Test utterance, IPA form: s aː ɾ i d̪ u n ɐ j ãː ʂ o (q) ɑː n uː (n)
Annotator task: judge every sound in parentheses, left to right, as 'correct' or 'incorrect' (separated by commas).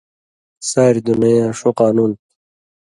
correct, correct